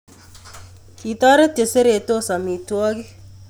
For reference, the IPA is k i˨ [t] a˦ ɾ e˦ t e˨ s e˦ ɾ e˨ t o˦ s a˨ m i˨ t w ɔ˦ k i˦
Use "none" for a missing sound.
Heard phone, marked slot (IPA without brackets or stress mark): t